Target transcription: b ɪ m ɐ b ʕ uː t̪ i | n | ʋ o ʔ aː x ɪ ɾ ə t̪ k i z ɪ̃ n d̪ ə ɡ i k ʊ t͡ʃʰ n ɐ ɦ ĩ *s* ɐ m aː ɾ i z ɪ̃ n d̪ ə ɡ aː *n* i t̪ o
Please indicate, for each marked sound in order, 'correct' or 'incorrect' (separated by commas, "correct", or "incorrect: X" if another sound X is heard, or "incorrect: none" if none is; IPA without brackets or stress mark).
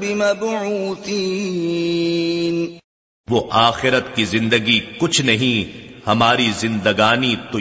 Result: incorrect: h, correct